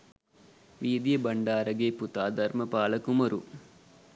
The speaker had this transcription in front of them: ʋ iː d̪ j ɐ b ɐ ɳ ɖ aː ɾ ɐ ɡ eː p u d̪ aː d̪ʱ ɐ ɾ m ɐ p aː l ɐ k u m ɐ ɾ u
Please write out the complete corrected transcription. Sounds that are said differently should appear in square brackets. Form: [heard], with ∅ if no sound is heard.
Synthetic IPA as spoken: ʋ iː d̪ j ɐ b ɐ ɳ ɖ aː ɾ ɐ ɡ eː p u [t̪] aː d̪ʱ ɐ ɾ m ɐ p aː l ɐ k u m ɐ ɾ u